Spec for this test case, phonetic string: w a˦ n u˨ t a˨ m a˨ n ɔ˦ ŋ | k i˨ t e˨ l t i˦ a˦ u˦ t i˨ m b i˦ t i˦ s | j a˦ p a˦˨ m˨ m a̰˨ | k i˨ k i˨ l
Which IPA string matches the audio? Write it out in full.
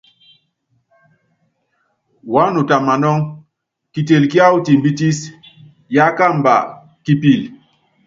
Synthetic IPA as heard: w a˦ n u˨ t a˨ m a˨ n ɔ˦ ŋ | k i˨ t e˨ l k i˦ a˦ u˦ t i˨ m b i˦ t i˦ s | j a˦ k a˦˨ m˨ b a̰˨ | k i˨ p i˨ l